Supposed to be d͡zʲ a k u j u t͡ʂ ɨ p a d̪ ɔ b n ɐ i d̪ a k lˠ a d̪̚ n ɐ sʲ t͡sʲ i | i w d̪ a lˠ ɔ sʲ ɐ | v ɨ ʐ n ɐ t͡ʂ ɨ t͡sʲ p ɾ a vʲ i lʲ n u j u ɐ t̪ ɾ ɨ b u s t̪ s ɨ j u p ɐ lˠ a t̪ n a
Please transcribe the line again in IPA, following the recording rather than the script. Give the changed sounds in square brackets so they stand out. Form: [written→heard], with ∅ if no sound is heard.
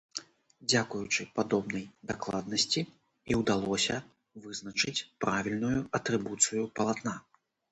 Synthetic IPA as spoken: d͡zʲ a k u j u t͡ʂ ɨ p a d̪ ɔ b n ɐ [i→j] d̪ a k lˠ a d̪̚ n ɐ sʲ t͡sʲ i | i w d̪ a lˠ ɔ sʲ ɐ | v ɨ [ʐ→z] n ɐ t͡ʂ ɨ t͡sʲ p ɾ a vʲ i lʲ n u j u ɐ t̪ ɾ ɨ b u [s→∅] t̪ s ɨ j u p ɐ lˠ a t̪ n a